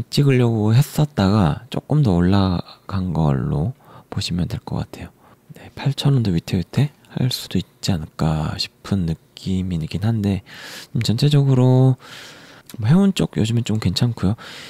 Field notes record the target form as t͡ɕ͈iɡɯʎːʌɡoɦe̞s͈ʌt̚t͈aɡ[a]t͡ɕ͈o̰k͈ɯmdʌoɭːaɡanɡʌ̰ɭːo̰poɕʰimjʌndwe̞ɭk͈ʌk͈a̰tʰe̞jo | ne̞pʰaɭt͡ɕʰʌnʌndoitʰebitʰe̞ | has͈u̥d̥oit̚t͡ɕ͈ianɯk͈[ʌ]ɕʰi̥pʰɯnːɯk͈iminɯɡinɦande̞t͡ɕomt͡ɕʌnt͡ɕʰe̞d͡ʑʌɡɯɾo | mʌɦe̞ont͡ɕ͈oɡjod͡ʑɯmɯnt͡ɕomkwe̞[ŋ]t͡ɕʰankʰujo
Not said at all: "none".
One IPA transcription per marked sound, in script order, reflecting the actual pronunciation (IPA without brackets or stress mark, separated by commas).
a, a, n